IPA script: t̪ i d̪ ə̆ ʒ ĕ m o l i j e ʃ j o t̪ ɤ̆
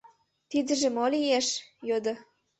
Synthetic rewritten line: t̪ i d̪ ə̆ ʒ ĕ m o l i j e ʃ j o d̪ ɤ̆